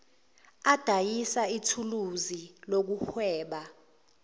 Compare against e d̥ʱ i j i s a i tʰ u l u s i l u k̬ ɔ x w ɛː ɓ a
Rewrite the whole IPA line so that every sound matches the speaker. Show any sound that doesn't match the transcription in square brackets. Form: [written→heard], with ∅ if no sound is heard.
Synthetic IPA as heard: [e→a] d̥ʱ [i→a] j i s a i tʰ u l u [s→z] i l [u→o] k̬ [ɔ→u] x w ɛː ɓ a